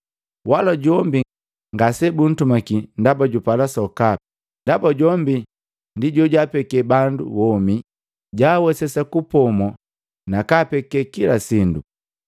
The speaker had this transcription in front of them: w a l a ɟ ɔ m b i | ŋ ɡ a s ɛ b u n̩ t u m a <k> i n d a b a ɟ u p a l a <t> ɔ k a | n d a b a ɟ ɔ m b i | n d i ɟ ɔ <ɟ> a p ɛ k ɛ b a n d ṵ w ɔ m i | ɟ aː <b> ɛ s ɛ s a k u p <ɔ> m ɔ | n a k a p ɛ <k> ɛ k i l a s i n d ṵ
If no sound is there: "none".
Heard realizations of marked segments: k, s, ɟ, w, ɔ, k

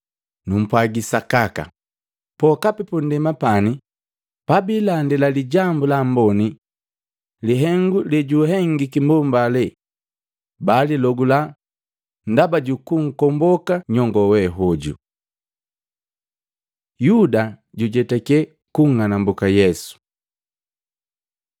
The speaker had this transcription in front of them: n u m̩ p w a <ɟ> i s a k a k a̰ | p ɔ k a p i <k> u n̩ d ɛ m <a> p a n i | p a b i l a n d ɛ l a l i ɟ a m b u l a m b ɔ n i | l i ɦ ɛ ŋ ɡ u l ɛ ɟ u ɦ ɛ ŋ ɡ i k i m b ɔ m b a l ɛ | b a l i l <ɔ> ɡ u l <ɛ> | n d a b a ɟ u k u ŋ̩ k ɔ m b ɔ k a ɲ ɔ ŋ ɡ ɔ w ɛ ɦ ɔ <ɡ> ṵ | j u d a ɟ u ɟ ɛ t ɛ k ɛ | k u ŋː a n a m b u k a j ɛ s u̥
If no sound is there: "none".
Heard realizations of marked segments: ɡ, p, a, ɔ, a, ɟ

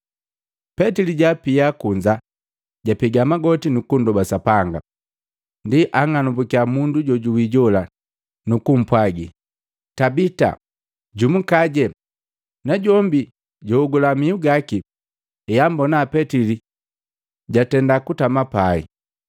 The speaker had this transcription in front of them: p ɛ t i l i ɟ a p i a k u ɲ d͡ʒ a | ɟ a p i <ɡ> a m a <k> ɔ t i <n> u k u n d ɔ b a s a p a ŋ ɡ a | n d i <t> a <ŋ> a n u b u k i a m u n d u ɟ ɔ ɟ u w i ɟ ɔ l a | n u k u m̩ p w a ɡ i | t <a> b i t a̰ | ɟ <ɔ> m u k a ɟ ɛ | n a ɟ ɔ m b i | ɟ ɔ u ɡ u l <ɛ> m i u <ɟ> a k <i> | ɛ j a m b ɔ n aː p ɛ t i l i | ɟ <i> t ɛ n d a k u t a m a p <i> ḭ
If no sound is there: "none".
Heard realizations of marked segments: ɡ, ɡ, n, ʔ, ŋ, a, u, a, ɡ, i, a, a

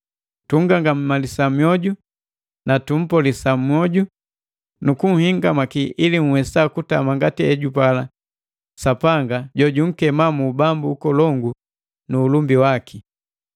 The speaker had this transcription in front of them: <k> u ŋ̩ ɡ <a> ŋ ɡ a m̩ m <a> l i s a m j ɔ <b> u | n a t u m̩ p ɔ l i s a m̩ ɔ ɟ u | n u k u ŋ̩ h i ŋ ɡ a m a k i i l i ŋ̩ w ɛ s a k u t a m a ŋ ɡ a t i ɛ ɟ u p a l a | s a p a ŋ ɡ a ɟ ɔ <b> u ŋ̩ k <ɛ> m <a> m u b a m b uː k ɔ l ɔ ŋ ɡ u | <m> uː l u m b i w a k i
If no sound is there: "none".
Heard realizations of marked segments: t, a, a, ɟ, ɟ, ɛ, a, n

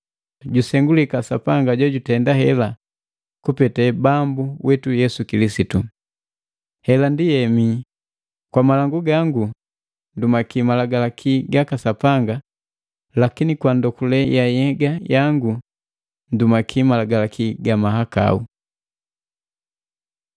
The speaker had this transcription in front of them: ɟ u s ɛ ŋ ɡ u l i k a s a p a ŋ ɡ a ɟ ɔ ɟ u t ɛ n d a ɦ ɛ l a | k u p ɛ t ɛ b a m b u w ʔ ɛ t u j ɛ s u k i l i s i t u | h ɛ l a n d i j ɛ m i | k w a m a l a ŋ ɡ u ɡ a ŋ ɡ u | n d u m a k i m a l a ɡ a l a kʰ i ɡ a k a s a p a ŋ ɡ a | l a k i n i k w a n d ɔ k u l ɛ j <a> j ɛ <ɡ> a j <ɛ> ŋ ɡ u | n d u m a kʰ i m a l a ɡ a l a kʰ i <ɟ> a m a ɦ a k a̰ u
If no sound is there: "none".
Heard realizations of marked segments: a, ɡ, a, ɡ

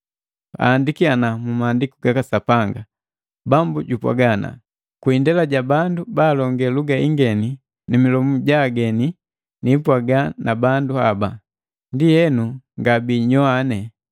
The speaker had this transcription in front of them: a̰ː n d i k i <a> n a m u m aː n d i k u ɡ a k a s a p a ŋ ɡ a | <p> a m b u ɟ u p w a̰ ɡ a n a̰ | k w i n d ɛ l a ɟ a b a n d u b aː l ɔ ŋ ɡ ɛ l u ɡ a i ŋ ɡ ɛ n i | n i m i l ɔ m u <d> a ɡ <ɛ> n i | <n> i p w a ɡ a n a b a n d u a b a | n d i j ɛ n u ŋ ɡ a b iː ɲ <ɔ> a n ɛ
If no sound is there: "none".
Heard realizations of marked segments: a, b, ɟ, ɛ, n, ɔ

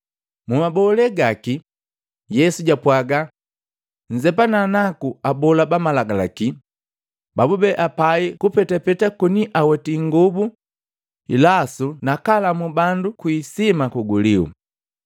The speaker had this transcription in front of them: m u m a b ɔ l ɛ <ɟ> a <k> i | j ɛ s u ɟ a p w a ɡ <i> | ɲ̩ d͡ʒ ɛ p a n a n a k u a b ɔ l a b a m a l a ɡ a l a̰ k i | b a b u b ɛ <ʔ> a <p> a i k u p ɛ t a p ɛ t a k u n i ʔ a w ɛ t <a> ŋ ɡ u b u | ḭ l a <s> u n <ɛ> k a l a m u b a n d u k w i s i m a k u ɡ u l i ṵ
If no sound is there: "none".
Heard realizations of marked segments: ɡ, k, a, ʔ, p, i, s, a

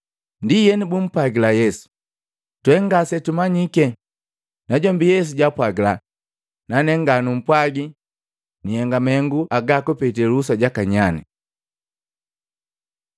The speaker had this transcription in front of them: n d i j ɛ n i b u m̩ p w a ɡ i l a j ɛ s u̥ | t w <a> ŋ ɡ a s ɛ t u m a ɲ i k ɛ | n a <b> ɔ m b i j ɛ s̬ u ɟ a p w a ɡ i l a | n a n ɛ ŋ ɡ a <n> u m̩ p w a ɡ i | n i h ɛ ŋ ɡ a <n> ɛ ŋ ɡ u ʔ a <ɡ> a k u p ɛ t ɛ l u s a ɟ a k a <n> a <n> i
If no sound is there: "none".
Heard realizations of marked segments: ɛ, ɟ, n, m, ɡ, ɲ, n

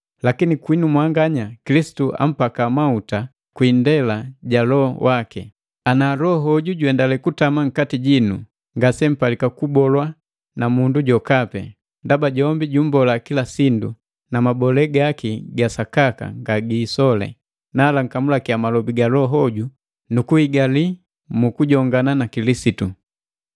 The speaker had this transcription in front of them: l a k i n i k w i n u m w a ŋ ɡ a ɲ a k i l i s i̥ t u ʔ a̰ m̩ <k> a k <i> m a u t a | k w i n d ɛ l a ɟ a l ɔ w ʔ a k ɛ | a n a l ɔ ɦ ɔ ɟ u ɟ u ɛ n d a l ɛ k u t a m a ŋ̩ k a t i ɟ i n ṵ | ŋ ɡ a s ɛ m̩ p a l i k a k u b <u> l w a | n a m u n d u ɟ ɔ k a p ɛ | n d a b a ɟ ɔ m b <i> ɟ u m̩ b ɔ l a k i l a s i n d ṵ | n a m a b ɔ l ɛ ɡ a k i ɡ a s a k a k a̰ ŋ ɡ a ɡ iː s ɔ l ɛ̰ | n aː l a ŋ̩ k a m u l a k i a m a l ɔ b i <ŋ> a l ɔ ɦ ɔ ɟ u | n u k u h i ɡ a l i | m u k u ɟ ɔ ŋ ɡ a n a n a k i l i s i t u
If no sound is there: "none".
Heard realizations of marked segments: p, a, ɔ, i, ɡ

